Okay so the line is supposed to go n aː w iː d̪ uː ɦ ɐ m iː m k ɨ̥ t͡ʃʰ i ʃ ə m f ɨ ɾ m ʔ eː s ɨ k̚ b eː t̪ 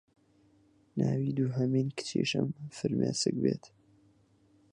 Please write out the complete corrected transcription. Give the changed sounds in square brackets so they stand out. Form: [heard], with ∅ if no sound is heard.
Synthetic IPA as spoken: n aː w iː d̪ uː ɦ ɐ m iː [n] k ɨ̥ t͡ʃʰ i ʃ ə m f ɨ ɾ m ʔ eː s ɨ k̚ b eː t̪